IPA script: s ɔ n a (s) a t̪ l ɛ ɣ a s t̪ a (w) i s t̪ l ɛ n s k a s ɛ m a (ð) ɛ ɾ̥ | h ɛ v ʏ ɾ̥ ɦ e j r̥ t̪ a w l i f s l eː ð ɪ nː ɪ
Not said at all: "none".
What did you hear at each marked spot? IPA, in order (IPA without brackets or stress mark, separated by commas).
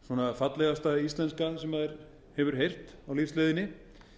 f, none, ð